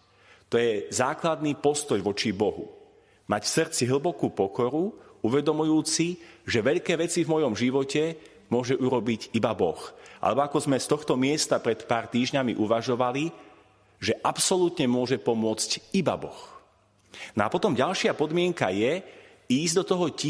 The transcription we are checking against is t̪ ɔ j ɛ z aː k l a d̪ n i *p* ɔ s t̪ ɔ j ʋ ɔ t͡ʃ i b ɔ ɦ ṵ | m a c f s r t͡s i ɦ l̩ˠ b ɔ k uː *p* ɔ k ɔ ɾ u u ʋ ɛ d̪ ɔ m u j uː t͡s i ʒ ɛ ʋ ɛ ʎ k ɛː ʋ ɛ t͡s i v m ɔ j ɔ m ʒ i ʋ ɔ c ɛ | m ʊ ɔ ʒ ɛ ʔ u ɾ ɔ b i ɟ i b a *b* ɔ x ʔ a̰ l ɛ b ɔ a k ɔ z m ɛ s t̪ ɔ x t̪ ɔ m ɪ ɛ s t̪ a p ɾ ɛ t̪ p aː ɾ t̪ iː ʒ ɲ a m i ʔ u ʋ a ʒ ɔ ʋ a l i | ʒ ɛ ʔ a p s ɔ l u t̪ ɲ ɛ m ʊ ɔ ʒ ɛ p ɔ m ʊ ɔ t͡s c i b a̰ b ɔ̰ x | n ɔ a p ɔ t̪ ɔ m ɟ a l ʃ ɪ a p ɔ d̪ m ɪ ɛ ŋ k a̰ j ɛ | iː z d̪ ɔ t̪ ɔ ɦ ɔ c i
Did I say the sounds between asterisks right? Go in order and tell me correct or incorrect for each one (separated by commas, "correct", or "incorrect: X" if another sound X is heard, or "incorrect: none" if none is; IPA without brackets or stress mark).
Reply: correct, correct, correct